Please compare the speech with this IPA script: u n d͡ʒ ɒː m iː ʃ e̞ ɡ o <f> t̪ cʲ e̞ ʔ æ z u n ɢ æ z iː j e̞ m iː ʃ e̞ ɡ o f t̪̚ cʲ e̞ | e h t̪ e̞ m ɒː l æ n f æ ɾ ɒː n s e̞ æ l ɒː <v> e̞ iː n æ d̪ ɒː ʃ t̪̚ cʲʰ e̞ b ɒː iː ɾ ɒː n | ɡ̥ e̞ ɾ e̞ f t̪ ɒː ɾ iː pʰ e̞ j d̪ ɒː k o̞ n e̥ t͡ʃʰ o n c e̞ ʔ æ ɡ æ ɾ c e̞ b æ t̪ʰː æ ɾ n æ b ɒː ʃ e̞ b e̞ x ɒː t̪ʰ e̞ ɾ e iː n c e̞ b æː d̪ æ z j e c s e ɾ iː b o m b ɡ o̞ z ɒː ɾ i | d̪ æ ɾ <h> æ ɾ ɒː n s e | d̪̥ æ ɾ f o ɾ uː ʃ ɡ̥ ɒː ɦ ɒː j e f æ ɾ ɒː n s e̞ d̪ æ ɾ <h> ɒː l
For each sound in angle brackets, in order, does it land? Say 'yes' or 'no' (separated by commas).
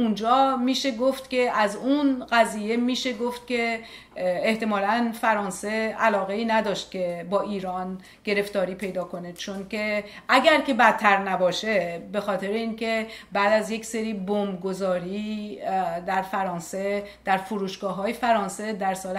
yes, no, no, no